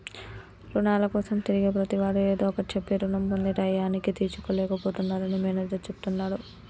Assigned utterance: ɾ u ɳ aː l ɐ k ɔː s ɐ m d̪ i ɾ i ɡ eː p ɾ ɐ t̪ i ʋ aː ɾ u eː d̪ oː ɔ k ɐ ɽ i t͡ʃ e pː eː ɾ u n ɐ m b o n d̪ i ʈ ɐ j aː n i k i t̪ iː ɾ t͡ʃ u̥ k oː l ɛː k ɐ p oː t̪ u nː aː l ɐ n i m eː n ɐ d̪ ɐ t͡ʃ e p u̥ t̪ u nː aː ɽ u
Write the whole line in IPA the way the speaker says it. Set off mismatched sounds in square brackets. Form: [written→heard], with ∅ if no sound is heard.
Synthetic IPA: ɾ u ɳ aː l ɐ k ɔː s ɐ m [d̪→t̪] i ɾ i ɡ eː p ɾ ɐ t̪ i ʋ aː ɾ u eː d̪ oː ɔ k ɐ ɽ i t͡ʃ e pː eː ɾ u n ɐ m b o n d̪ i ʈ ɐ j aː n i k i t̪ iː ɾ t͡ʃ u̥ k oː l ɛː k ɐ p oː t̪ u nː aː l ɐ n i m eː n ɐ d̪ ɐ t͡ʃ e p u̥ t̪ u nː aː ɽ u